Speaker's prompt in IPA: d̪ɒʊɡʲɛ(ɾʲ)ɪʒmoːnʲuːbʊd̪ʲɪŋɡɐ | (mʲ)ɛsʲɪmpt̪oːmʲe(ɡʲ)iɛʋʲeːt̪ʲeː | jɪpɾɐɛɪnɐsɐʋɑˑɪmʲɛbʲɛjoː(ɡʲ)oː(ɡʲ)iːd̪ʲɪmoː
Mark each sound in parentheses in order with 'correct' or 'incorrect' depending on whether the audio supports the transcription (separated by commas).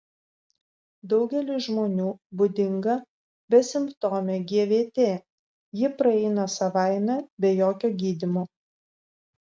incorrect, incorrect, correct, incorrect, correct